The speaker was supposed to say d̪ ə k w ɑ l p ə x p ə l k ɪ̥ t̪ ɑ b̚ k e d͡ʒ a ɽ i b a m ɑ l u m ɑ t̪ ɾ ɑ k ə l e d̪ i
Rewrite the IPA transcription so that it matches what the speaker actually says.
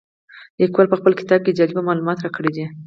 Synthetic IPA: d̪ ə k w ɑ l p ə x p ə l k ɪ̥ t̪ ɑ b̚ k e d͡ʒ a l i b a m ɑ l u m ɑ t̪ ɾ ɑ k ə ɽ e d̪ i